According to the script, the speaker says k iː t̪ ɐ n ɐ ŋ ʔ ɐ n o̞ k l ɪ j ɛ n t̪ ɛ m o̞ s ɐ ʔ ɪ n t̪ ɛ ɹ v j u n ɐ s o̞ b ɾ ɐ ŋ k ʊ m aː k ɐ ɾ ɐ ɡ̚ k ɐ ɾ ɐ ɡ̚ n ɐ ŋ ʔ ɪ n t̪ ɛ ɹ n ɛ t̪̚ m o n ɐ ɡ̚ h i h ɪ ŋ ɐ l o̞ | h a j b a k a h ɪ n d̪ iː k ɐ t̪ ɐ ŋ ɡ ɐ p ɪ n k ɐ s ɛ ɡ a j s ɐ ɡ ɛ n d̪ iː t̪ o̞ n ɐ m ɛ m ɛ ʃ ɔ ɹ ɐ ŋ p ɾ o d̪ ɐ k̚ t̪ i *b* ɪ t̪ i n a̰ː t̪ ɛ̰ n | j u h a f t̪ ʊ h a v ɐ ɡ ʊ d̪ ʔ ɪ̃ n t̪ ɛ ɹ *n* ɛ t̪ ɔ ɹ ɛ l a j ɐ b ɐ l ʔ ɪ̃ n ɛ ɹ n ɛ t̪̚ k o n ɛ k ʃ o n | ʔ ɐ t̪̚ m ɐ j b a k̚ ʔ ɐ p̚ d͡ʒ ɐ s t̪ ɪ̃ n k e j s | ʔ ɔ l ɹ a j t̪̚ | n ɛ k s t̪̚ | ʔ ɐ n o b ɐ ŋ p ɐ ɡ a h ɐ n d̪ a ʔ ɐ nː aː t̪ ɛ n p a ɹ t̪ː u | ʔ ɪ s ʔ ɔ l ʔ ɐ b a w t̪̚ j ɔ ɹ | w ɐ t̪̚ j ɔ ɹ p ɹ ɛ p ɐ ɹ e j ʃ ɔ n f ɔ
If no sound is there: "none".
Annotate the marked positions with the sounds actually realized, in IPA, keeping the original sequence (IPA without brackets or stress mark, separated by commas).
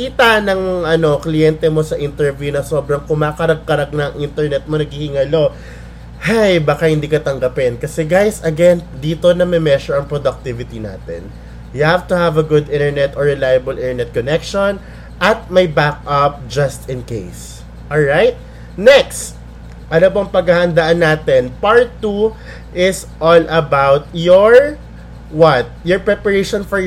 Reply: v, n